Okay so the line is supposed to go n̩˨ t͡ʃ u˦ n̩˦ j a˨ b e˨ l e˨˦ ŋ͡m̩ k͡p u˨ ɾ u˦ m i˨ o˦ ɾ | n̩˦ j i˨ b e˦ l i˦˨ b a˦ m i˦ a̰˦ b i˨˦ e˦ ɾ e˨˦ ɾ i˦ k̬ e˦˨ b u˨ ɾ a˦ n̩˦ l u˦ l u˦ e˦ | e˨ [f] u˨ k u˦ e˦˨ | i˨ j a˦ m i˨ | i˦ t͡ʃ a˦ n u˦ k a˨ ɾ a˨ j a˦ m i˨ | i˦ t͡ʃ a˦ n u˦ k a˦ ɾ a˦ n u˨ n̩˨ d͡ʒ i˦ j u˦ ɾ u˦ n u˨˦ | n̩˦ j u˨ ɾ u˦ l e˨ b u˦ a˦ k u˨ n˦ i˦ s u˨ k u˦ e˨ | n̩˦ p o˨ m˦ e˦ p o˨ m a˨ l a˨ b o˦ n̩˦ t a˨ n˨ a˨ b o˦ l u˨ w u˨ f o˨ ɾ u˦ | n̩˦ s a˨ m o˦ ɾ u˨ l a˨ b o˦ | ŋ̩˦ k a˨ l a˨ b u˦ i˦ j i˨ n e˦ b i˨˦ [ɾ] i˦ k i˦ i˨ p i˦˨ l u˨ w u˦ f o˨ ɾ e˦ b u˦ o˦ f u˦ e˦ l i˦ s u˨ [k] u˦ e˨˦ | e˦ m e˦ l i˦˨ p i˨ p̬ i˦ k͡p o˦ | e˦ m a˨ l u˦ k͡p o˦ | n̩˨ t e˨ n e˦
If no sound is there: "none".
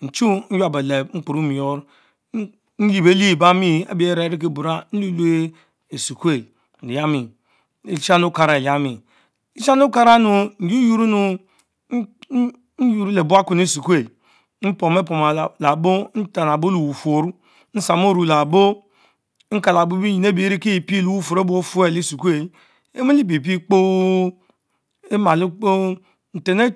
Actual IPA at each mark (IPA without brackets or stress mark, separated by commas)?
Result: s, ɾ, k